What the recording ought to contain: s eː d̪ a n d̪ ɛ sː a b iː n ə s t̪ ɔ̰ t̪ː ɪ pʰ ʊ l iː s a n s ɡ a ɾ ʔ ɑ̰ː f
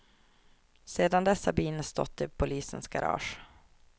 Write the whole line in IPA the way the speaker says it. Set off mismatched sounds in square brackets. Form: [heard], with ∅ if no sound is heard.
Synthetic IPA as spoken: s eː d̪ a n d̪ ɛ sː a b iː n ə s t̪ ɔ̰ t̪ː ɪ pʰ ʊ l iː s [ə] n s ɡ a ɾ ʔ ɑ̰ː [ʂ]